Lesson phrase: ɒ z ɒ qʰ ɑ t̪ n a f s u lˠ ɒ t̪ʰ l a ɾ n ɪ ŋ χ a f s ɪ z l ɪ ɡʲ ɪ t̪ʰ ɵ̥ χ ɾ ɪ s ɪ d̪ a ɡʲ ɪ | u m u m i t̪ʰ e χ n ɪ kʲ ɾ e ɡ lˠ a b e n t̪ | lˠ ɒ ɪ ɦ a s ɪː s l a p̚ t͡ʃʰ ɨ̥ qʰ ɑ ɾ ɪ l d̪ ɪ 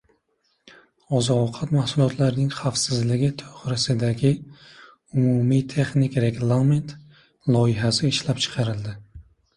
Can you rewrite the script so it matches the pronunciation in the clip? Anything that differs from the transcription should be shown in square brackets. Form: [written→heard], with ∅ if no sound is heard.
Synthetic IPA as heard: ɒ z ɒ qʰ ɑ t̪ [n→m] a [f→h] s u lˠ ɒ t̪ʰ l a ɾ n ɪ ŋ χ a f s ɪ z l ɪ ɡʲ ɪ t̪ʰ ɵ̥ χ ɾ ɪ s ɪ d̪ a ɡʲ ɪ | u m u m i t̪ʰ e χ n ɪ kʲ ɾ e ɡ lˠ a [b→m] e n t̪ | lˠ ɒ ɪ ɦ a s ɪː [s→ʃ] l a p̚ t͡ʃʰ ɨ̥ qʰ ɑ ɾ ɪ l d̪ ɪ